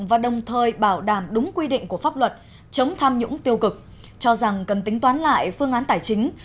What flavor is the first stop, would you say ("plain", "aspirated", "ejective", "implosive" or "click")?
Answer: implosive